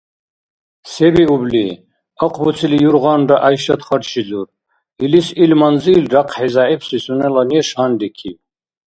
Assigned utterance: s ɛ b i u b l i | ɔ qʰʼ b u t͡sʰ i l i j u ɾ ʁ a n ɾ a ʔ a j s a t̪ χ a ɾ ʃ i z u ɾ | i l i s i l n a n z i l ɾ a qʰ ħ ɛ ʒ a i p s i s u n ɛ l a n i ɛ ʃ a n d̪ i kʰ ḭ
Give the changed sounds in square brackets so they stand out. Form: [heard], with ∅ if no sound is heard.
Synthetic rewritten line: s ɛ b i u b l i | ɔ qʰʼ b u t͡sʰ i l i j u ɾ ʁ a n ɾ a ʔ a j [ʃ] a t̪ χ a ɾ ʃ i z u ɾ | i l i s i l [m] a n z i l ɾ a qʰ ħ ɛ [z] a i p s i s u n ɛ l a n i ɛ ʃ a n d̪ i kʰ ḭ